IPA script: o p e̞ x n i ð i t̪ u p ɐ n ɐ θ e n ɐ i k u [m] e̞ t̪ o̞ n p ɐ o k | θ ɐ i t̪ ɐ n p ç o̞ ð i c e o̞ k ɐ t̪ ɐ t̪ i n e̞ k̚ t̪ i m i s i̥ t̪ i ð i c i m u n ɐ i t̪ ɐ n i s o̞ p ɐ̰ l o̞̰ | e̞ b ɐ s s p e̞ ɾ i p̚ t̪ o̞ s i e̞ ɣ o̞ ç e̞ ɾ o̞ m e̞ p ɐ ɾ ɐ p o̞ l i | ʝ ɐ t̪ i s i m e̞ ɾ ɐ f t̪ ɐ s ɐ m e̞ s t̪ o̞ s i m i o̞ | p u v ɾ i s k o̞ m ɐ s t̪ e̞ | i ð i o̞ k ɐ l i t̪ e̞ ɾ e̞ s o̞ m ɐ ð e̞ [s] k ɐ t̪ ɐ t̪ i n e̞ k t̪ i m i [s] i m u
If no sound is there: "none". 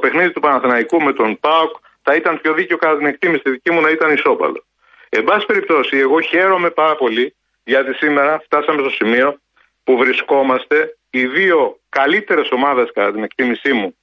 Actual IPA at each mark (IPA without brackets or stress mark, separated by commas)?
m, s, s